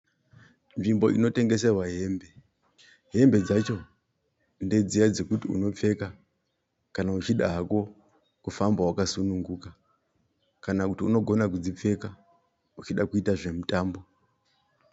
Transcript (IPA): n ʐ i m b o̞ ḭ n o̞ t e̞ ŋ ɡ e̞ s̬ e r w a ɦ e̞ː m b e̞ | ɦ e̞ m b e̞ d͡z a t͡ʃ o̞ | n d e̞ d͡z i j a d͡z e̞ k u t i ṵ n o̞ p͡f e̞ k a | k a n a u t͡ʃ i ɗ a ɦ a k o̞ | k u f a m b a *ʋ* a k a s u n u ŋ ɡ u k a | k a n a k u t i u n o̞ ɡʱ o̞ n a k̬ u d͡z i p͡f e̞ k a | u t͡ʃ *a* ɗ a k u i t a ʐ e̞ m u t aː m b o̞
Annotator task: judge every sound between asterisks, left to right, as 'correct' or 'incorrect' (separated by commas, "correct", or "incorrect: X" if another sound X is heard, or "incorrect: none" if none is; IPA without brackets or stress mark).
incorrect: w, incorrect: i